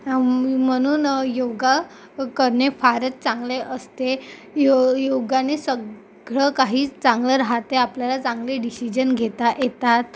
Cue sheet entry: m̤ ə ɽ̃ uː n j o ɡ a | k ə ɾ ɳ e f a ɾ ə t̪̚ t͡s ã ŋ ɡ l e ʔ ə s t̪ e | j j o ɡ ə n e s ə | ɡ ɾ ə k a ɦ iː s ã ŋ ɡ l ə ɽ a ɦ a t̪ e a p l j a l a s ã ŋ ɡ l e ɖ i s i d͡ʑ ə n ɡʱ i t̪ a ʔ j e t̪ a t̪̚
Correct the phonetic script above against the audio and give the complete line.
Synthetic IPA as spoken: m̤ ə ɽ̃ uː n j o ɡ a | k ə ɾ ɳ e f a ɾ ə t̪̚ t͡s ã ŋ ɡ l e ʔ ə s t̪ e | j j o ɡ a n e s ə | ɡ ɭ ə k a ɦ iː t͡s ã ŋ ɡ l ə ɾ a ɦ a t̪ e a p l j a l a t͡s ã ŋ ɡ l e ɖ i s i d͡ʑ ə n ɡʱ e t̪ a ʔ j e t̪ a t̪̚